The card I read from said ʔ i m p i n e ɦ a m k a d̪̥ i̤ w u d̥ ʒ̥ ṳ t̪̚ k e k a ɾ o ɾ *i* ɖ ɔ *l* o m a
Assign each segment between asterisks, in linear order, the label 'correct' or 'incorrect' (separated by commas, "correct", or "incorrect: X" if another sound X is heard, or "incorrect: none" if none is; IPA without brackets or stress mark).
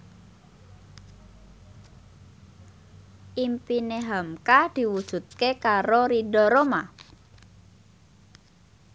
correct, incorrect: ɾ